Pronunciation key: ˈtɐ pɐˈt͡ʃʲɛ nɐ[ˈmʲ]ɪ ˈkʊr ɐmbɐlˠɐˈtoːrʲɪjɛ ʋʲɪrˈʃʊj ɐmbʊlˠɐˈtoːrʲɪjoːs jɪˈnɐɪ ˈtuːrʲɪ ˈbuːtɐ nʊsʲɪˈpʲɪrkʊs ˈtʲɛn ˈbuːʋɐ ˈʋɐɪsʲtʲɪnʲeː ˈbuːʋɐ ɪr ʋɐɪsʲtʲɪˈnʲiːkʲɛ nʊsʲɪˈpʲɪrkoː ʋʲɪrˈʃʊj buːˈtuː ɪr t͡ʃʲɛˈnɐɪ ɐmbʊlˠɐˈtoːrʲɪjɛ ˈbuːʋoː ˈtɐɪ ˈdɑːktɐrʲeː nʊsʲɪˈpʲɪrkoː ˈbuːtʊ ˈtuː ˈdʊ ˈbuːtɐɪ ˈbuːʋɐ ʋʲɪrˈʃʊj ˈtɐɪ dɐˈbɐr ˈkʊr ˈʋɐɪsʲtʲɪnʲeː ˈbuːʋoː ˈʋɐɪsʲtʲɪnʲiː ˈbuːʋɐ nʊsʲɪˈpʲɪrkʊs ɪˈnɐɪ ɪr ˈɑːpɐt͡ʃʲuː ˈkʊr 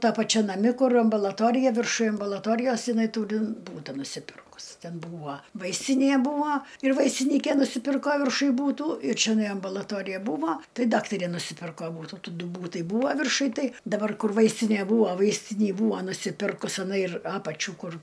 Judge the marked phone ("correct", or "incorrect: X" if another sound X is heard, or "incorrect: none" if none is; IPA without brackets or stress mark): correct